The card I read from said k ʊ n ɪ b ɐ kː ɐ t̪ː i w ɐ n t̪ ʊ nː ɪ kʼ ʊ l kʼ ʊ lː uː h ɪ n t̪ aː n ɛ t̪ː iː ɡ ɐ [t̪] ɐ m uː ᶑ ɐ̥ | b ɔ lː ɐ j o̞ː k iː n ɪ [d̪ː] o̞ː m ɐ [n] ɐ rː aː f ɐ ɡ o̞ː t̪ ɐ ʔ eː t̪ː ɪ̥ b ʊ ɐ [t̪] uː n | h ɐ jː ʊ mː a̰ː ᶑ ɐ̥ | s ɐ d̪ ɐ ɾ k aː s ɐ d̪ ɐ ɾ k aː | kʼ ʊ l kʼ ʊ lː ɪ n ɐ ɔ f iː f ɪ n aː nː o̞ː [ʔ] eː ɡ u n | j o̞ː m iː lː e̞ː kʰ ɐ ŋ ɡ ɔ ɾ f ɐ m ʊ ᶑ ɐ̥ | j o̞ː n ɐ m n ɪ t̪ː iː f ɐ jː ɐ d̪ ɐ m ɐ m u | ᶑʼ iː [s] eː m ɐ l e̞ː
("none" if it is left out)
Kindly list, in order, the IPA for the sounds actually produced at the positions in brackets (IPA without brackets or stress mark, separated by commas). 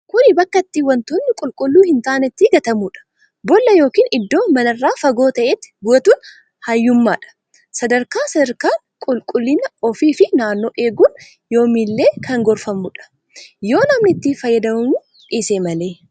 t̪, d̪ː, n, t̪, ʔ, s